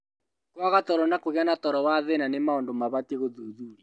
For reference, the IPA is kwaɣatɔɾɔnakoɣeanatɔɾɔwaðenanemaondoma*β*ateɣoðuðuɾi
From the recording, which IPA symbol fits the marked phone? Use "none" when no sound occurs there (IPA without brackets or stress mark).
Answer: β